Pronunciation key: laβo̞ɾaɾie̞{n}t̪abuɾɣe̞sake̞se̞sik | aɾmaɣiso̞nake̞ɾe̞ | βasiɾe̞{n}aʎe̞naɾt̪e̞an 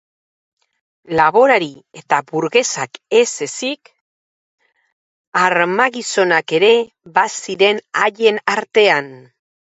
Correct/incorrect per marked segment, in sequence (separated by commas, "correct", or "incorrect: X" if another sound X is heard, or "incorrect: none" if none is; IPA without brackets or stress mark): incorrect: none, correct